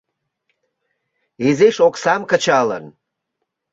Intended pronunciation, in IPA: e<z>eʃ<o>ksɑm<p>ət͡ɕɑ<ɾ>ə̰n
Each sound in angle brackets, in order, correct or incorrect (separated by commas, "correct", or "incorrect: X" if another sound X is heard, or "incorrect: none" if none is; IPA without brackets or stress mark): correct, correct, incorrect: k, incorrect: l